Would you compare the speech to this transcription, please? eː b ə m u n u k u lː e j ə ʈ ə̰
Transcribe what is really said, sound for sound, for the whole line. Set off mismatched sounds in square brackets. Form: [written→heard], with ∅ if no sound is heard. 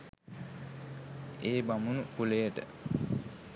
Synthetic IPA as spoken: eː b [ə→a] m u n u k u [lː→l] e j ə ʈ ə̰